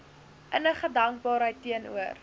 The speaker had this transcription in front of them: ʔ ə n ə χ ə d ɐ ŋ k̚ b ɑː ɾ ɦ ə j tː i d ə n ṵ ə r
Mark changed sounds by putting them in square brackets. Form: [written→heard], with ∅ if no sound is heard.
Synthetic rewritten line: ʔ ə n ə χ ə d ɐ ŋ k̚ b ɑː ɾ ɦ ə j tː i [d→∅] ə n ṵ ə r